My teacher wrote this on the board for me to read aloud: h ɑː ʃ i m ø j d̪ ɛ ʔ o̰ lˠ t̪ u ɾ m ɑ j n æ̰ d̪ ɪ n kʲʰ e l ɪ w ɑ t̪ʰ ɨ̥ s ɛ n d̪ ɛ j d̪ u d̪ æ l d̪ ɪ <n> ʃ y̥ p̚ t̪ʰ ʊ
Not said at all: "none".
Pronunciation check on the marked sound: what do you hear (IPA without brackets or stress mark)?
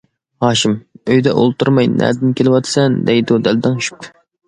ŋ